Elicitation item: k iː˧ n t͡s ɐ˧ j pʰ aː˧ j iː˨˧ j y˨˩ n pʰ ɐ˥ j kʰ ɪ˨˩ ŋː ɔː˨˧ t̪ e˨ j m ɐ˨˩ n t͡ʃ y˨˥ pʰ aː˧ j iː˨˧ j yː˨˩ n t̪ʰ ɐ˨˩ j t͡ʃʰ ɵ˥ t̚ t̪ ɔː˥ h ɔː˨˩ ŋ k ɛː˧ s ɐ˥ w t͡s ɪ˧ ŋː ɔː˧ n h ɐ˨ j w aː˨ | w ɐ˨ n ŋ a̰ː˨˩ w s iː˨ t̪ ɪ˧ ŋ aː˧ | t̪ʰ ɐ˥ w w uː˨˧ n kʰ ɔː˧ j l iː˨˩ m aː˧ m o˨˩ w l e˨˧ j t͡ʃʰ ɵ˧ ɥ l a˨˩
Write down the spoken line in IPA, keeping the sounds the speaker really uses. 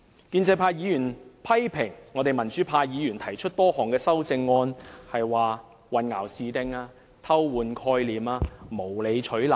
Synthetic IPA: k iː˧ n t͡s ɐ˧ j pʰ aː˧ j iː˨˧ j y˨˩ n pʰ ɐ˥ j pʰ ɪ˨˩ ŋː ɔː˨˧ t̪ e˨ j m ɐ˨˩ n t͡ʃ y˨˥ pʰ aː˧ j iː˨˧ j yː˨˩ n t̪ʰ ɐ˨˩ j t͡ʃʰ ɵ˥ t̚ t̪ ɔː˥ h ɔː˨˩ ŋ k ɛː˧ s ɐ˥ w t͡s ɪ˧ ŋː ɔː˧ n h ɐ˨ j w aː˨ | w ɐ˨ n ŋ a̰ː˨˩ w s iː˨ t̪ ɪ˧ ŋ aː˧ | t̪ʰ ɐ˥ w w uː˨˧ n kʰ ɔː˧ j l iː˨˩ m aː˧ m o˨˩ w l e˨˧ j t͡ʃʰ ɵ˨˥ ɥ l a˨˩